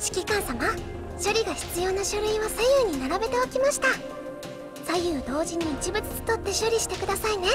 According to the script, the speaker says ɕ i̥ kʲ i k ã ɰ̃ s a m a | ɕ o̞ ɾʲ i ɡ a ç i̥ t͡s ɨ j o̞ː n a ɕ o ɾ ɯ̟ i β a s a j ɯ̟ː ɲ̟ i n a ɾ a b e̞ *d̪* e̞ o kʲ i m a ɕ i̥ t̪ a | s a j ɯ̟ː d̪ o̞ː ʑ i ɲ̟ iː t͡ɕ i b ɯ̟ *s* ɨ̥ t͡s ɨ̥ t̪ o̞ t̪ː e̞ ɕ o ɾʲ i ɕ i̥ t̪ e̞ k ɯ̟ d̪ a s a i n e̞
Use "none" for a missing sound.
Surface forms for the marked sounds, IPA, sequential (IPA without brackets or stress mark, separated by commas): t̪, t͡s